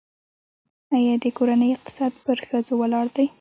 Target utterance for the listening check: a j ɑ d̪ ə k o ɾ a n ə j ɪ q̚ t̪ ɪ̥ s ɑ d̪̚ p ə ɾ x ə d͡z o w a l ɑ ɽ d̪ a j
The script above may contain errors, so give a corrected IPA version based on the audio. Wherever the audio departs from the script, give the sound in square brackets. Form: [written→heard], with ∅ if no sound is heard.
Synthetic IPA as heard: a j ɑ d̪ ə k o ɾ a n ə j ɪ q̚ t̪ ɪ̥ s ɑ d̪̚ p ə ɾ x ə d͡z o w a l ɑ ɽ d̪ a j